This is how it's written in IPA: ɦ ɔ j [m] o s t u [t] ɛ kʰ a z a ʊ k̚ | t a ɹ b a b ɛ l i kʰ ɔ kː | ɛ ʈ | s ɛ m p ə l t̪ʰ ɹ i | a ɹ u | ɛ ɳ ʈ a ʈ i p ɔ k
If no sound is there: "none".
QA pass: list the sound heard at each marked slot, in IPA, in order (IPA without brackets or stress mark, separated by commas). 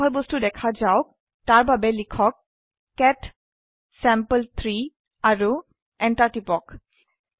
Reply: b, d